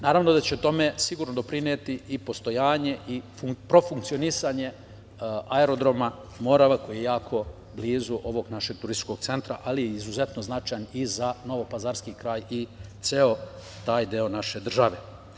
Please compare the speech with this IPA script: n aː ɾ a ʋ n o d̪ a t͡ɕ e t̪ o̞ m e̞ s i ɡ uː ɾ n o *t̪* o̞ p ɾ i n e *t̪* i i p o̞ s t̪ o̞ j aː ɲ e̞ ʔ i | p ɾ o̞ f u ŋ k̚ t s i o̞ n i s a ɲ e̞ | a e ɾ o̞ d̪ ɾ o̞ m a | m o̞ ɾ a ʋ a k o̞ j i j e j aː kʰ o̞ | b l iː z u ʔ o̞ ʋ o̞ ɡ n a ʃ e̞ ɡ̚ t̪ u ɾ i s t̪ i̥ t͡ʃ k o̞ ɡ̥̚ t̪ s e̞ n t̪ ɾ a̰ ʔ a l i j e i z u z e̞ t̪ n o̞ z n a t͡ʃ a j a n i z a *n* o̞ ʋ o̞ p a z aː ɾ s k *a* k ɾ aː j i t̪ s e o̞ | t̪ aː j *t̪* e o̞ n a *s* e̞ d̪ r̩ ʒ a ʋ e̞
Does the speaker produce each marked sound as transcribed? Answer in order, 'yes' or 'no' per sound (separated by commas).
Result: no, yes, yes, no, no, no